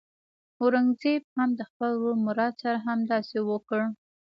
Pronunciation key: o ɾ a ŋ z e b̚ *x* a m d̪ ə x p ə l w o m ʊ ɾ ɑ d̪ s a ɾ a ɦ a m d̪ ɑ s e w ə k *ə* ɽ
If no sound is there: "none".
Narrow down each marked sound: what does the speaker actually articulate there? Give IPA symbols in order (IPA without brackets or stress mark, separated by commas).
h, ə